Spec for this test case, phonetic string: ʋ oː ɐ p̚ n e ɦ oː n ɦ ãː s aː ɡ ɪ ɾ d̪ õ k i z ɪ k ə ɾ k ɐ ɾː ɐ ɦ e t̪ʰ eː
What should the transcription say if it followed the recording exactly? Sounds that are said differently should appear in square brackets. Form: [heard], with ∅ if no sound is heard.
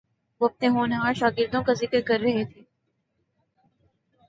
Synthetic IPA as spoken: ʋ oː ɐ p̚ n e ɦ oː n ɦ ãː [ʃ] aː ɡ ɪ ɾ d̪ õ k [a] z ɪ k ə ɾ k ɐ ɾː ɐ ɦ e t̪ʰ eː